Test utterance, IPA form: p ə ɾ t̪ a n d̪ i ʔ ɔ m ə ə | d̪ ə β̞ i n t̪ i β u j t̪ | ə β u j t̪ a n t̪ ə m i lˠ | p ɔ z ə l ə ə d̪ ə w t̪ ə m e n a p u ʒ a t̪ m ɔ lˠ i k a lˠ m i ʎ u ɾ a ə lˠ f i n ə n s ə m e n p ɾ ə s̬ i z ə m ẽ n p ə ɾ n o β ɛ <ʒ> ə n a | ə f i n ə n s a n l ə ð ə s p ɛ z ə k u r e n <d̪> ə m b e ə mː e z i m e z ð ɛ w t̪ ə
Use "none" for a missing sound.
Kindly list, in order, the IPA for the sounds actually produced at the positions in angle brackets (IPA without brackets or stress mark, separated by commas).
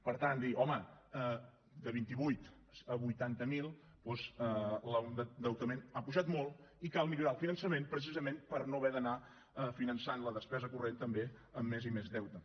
ð, t̪